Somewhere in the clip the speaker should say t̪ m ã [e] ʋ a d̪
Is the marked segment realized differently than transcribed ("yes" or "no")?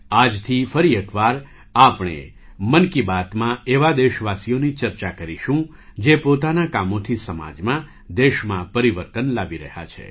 no